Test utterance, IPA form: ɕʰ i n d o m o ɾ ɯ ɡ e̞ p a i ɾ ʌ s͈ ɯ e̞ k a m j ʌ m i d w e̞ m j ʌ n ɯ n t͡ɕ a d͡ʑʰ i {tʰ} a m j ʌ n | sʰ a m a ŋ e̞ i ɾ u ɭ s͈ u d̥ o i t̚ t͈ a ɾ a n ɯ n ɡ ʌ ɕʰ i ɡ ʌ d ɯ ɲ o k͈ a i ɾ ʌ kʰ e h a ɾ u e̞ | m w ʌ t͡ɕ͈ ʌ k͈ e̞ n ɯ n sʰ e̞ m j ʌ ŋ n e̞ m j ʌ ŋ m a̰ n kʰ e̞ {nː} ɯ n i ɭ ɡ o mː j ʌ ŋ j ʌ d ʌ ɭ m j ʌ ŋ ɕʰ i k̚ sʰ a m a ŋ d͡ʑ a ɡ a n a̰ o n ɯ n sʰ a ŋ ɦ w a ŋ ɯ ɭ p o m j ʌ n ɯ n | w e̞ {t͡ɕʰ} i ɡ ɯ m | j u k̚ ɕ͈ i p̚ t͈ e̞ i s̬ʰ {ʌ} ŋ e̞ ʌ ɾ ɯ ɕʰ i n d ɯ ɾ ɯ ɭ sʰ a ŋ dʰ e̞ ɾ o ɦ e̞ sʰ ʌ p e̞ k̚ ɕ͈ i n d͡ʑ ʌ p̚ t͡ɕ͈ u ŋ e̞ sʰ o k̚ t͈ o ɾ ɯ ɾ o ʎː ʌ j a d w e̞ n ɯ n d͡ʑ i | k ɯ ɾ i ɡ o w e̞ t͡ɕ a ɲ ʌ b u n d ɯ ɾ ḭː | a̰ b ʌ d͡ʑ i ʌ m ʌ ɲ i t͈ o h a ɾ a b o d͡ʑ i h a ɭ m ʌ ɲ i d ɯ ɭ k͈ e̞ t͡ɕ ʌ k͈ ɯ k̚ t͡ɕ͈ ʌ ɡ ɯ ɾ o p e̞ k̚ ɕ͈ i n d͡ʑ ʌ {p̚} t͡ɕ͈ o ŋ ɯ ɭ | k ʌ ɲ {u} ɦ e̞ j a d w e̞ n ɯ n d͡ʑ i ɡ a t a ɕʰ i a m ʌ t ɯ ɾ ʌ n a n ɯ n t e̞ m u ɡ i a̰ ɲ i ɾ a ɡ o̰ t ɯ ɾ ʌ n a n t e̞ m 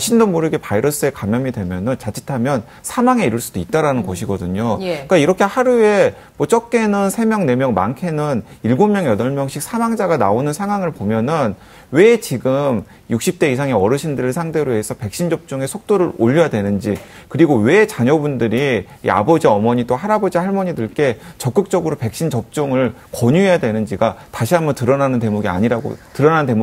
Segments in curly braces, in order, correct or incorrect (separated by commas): correct, incorrect, incorrect, incorrect, correct, correct